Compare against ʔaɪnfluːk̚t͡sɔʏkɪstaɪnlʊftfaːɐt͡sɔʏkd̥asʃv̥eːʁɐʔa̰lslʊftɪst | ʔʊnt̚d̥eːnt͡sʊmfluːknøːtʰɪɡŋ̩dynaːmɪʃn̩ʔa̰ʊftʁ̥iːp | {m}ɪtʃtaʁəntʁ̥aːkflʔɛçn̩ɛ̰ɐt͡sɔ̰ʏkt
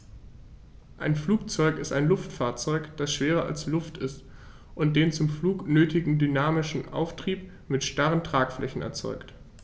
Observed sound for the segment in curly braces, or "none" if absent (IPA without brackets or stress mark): m